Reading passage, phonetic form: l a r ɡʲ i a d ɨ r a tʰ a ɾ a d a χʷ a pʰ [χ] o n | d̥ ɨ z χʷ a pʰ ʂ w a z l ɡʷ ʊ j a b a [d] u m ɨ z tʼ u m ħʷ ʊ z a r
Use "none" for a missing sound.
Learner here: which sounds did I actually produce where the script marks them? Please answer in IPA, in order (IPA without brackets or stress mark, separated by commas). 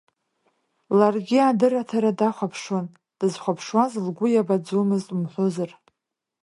ʂ, d͡z